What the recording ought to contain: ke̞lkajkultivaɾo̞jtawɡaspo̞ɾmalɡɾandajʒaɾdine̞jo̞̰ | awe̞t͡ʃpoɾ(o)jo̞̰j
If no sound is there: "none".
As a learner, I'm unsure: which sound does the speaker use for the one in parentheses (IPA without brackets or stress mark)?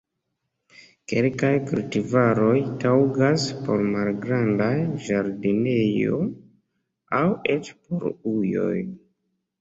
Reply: u